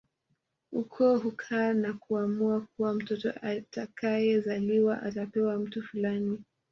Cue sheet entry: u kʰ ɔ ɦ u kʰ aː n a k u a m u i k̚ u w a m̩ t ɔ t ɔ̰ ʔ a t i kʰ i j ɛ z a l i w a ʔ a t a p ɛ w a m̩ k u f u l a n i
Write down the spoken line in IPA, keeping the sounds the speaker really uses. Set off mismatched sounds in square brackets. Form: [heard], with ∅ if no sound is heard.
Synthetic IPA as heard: u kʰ ɔ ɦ u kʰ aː n a k u a m u [a] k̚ u w a m̩ t ɔ t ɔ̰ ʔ a t [a] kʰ [a] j ɛ z a l i w a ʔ a t a p ɛ w a m̩ [t] u f u l a n i